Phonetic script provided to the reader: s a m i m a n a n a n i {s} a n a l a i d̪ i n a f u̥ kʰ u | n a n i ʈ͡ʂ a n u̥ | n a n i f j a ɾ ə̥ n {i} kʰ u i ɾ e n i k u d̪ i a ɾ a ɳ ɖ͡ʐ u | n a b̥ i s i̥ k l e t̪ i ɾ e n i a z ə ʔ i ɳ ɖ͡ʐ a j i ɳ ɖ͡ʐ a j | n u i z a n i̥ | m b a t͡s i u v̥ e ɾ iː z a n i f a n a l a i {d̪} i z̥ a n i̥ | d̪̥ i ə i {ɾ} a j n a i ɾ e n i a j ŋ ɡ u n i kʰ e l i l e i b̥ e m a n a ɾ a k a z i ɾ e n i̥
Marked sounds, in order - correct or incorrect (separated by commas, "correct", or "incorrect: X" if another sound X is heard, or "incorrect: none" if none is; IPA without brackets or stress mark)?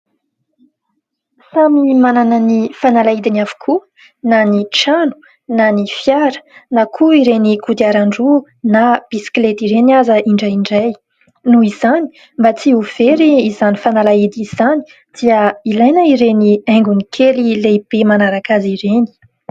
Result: incorrect: f, incorrect: a, correct, incorrect: l